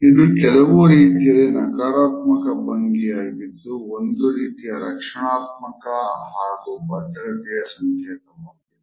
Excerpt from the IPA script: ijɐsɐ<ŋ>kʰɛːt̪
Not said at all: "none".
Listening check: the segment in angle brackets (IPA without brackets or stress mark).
ŋ